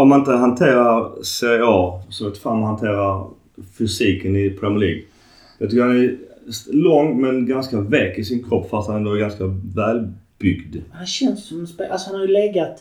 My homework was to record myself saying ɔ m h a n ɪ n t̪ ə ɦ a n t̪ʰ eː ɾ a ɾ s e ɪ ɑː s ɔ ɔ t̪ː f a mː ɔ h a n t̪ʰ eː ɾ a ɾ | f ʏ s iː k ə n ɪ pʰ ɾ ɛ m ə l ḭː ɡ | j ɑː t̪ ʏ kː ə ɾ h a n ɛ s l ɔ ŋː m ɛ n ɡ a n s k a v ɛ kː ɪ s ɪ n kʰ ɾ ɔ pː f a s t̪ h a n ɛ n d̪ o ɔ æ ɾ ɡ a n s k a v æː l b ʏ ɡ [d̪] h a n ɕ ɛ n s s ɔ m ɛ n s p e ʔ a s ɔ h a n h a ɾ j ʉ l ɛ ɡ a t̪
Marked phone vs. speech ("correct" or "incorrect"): correct